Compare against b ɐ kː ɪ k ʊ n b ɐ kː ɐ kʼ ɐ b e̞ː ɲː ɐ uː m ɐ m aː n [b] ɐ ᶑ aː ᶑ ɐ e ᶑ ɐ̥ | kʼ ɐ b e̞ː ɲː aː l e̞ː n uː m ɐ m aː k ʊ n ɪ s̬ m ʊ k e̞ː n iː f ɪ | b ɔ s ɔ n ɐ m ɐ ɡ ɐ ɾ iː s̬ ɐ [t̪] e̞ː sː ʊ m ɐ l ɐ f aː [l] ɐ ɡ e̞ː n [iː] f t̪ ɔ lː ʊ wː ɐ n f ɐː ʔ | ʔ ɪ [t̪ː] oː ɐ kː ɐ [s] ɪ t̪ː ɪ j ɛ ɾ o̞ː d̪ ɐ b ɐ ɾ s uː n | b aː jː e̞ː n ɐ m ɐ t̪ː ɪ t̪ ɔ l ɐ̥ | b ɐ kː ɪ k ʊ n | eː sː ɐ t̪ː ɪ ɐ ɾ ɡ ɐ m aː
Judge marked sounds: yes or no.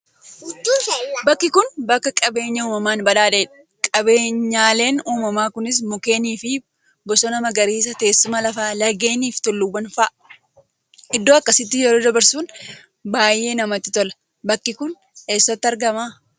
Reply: yes, yes, yes, yes, no, yes

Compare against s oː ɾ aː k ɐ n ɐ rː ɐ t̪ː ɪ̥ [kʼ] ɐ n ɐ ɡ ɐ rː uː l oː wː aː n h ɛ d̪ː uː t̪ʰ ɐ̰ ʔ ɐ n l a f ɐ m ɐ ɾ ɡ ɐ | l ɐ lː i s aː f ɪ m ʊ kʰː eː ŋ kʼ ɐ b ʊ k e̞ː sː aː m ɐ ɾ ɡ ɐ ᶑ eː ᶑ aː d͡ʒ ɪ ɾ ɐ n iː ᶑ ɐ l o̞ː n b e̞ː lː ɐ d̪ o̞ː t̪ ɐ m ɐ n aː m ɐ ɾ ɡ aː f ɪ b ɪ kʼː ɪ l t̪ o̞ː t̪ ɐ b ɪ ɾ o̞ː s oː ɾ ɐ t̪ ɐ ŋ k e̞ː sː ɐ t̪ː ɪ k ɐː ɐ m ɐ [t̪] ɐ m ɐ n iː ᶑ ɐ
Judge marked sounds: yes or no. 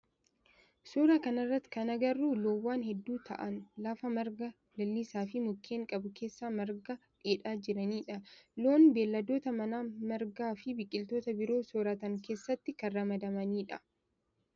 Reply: no, no

